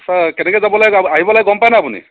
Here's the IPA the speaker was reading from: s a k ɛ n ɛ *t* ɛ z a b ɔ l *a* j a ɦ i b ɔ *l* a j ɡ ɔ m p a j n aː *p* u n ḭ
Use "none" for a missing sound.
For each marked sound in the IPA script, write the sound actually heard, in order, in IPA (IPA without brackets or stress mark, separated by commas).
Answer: k, a, l, p